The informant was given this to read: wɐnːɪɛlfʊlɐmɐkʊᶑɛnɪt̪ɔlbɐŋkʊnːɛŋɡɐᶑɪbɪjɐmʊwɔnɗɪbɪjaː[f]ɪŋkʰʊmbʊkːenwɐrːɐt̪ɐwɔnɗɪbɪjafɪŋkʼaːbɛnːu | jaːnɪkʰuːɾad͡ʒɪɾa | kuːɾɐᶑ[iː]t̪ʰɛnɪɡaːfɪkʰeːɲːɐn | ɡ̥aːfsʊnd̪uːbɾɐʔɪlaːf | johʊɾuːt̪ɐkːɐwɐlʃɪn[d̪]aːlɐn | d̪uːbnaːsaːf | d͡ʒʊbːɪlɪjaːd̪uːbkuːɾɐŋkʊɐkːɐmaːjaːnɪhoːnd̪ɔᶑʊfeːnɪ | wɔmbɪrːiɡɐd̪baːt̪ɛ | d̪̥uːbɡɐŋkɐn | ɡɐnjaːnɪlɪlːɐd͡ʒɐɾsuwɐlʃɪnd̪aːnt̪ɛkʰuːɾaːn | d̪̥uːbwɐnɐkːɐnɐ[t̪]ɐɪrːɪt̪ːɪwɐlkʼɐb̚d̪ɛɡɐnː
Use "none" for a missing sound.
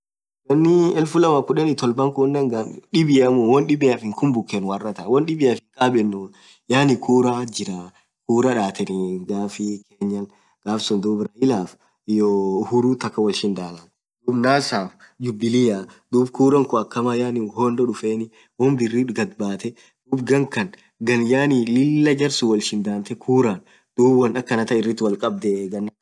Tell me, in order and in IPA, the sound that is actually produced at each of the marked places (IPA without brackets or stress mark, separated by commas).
f, aː, d̪, t̪